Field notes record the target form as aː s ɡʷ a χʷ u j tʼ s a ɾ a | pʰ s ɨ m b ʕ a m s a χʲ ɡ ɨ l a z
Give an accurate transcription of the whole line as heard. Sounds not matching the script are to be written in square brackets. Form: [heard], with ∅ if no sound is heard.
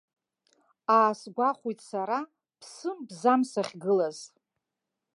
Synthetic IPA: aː s ɡʷ a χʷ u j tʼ s a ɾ a | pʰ s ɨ m b [z] a m s a χʲ ɡ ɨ l a z